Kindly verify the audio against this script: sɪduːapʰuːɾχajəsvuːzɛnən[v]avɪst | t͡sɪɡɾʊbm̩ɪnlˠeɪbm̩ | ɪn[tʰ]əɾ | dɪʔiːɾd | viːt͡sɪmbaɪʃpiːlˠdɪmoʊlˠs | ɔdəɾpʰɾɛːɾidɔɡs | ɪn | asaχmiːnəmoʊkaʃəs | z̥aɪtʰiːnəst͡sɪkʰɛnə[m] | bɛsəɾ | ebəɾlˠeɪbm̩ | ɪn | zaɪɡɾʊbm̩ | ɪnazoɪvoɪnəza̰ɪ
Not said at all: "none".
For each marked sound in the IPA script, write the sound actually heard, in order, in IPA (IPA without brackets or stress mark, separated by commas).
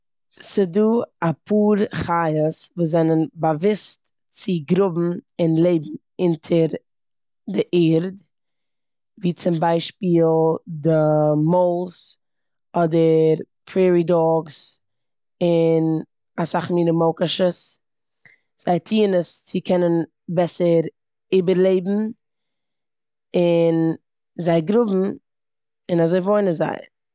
b, tʰ, n